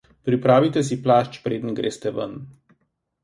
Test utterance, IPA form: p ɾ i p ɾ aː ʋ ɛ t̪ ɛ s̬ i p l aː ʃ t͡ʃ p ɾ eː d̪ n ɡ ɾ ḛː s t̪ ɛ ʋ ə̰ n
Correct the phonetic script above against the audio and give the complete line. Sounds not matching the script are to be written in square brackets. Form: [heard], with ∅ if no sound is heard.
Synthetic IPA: p ɾ i p ɾ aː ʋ [i] t̪ ɛ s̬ i p l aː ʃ t͡ʃ p ɾ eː d̪ n ɡ ɾ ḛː s t̪ ɛ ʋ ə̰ n